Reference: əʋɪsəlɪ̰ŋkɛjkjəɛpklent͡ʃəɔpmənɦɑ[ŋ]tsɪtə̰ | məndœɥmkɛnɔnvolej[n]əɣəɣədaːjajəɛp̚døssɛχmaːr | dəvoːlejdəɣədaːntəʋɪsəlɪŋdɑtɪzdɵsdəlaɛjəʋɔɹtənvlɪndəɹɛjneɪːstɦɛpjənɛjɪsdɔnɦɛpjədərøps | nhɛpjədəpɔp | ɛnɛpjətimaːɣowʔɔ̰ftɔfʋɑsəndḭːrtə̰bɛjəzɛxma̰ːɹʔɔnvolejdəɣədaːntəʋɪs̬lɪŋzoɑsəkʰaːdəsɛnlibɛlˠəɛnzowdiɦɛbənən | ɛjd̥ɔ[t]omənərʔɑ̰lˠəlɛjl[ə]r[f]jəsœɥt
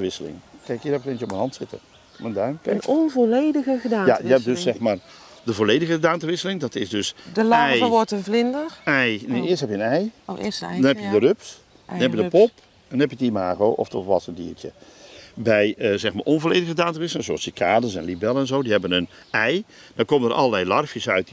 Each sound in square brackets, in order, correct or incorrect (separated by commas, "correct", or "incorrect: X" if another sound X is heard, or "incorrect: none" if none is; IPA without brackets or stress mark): incorrect: n, incorrect: d, incorrect: k, incorrect: ɑ, correct